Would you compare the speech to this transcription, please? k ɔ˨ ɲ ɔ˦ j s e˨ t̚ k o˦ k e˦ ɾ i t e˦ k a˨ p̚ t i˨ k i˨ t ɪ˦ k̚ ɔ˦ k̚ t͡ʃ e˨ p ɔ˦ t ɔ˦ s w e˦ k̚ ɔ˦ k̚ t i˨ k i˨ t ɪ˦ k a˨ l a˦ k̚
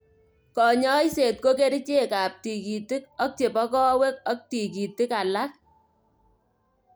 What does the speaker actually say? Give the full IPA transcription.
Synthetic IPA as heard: k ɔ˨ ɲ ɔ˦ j s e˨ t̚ k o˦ k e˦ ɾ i t͡ʃ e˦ k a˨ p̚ t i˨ k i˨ t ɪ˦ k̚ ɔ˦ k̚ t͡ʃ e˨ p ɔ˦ k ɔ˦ w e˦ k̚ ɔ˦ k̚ t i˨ k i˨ t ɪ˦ k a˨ l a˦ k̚